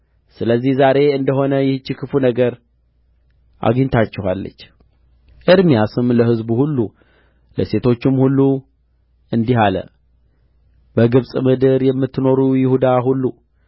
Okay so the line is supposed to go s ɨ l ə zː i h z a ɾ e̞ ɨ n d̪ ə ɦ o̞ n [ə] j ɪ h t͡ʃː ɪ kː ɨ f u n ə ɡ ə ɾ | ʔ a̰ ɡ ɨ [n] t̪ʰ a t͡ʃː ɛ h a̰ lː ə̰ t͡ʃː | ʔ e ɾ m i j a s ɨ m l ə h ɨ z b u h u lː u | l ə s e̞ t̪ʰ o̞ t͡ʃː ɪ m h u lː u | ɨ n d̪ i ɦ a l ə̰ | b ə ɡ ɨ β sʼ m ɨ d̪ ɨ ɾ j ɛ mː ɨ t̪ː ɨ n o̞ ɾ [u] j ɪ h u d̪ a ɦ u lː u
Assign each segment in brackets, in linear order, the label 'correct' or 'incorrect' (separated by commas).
correct, incorrect, correct